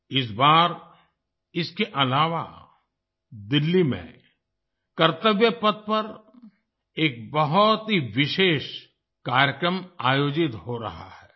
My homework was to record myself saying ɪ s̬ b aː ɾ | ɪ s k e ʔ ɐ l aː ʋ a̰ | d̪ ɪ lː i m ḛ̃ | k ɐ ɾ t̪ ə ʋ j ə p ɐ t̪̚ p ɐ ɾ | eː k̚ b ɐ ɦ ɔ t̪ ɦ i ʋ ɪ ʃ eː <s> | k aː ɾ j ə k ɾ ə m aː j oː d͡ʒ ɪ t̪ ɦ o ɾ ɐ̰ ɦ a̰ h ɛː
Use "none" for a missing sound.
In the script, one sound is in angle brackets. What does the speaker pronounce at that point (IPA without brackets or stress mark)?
ʃ